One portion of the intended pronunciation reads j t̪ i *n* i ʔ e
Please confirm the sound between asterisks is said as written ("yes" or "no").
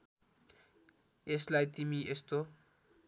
no